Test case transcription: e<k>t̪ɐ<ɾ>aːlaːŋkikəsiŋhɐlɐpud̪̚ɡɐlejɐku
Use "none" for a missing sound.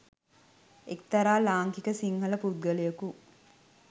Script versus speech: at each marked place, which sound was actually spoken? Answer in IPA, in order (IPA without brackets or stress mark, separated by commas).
k, ɾ